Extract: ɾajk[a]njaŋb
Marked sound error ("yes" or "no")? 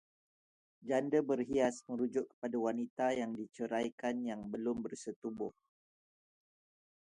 no